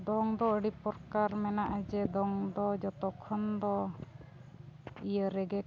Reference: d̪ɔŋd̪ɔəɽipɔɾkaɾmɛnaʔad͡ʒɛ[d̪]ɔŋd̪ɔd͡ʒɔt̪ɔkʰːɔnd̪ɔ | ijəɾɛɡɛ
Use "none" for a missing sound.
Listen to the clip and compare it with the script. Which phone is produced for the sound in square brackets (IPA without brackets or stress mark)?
d̪